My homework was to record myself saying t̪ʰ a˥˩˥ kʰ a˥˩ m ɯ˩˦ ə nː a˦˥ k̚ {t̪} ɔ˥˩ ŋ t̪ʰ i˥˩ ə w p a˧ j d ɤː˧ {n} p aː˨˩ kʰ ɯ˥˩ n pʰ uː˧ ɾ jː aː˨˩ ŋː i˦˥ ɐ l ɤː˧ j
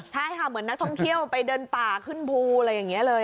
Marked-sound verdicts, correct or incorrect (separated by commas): incorrect, correct